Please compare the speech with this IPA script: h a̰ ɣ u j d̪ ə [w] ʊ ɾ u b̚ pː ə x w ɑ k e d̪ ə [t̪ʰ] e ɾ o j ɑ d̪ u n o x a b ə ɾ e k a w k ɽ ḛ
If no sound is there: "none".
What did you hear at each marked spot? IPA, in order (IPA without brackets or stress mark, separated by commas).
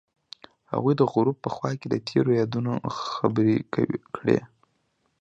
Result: ɣ, t̪ʰ